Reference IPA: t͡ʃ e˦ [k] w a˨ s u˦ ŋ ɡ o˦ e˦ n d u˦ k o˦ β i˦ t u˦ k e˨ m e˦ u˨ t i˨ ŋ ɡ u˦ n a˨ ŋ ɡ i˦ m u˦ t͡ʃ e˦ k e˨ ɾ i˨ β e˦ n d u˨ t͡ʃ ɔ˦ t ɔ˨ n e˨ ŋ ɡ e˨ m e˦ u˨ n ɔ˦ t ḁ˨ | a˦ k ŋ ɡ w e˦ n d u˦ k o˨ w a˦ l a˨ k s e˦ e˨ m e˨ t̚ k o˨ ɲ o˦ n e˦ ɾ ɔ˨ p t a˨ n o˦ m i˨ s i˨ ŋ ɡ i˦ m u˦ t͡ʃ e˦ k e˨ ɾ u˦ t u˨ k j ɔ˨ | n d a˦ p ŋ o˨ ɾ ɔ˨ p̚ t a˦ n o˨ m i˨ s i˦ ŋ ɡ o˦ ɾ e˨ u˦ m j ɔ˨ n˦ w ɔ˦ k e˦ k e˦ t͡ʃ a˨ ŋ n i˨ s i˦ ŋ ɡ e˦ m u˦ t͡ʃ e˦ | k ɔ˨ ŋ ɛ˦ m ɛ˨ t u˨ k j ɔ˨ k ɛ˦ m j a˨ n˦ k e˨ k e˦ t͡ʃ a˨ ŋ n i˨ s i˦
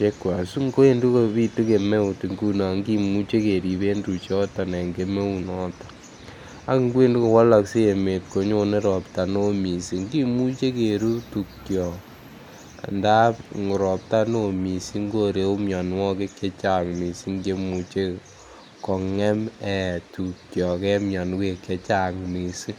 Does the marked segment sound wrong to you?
no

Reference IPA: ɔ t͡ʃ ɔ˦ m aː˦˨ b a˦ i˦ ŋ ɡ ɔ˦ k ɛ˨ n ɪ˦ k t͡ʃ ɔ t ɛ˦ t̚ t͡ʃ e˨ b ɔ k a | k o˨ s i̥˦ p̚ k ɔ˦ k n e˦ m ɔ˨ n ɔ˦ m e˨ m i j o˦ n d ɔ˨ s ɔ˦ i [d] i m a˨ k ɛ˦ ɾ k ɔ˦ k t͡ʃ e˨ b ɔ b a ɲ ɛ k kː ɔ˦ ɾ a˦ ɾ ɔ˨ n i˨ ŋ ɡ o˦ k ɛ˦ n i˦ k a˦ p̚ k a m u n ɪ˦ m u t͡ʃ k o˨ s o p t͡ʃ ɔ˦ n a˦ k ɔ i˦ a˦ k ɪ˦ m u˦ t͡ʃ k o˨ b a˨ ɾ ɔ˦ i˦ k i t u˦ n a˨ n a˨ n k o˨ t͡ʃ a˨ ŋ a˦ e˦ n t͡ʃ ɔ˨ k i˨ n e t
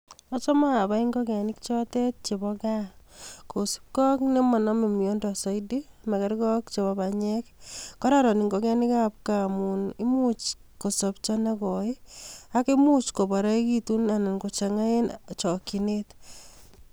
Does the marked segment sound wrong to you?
no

